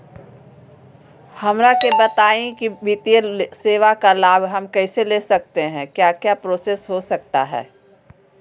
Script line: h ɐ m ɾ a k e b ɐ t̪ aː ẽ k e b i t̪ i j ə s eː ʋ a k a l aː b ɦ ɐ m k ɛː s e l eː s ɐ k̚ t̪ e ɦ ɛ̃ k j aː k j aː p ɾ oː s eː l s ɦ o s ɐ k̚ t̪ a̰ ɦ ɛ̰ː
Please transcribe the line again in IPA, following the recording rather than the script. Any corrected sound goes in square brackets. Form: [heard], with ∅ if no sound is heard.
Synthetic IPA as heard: h ɐ m ɾ a k e b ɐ t̪ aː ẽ k [i] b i t̪ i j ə s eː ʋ a k a l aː b ɦ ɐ m k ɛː s e l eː s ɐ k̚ t̪ e ɦ ɛ̃ k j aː k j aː p ɾ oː s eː [∅] s ɦ o s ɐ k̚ t̪ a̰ ɦ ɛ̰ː